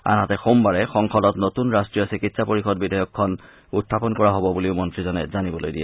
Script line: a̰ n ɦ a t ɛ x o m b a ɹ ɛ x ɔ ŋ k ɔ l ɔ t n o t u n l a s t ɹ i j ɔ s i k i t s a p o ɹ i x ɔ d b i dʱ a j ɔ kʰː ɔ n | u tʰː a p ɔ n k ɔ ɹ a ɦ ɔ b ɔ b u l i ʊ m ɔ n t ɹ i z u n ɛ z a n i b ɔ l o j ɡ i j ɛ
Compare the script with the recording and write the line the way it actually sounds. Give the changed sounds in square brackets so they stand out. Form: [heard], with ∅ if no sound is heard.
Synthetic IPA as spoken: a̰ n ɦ a t ɛ x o m b a ɹ ɛ x ɔ ŋ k ɔ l ɔ t n o t u n [ɹ] a s t ɹ i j ɔ s i k i t s a p o ɹ i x ɔ d b i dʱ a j ɔ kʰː ɔ n | u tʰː a p ɔ n k ɔ ɹ a ɦ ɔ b ɔ b u l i ʊ m ɔ n t ɹ i z [ɔ] n ɛ z a n i b ɔ l o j [d] i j ɛ